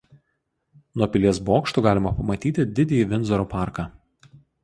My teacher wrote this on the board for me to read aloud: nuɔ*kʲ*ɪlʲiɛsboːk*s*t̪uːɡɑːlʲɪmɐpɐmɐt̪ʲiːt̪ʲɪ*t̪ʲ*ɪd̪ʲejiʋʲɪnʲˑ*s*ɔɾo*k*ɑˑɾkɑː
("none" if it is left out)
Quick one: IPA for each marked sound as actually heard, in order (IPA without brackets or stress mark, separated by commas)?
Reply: pʲ, ʃ, d̪ʲ, z, p